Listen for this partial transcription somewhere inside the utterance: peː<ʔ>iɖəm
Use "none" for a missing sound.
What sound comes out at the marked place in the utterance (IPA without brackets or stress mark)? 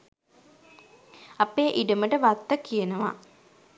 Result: ʔ